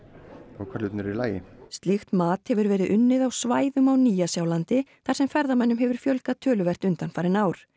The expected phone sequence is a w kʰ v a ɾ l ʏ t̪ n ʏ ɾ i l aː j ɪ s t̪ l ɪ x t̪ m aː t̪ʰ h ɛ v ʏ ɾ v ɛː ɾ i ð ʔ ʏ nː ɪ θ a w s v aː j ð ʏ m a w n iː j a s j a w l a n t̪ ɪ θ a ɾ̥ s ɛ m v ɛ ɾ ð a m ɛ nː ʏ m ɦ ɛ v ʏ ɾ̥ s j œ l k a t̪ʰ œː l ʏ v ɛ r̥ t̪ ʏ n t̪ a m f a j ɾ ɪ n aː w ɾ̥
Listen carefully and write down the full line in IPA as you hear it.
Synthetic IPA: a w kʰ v a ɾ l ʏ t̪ n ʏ ɾ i l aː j ɪ s t̪ l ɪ x t̪ m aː t̪ h ɛ v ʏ ɾ v ɛː ɾ ɪ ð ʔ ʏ nː ɪ ð a w s v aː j ð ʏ m a w n iː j a s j a w l a n t̪ ɪ θ a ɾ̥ s ɛ m f ɛ ɾ ð a m ɛ nː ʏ m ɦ ɛ v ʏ ɾ̥ f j œ l k a t̪ʰ œː l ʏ v ɛ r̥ t̪ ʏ n t̪ a n f a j ɾ ɪ n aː w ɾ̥